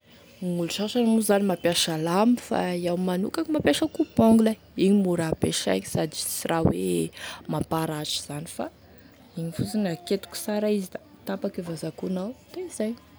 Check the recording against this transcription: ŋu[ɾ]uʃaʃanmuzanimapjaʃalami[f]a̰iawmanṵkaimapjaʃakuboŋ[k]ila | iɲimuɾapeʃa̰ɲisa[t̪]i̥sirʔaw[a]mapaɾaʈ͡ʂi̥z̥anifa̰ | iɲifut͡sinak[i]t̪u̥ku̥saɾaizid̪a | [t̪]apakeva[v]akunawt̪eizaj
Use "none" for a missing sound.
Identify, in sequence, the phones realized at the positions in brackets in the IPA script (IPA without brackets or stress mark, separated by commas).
l, f, ɡ, d̪, e, e, t̪, z